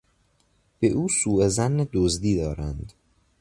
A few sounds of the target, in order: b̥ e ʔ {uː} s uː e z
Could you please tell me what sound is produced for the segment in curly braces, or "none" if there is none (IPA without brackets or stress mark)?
uː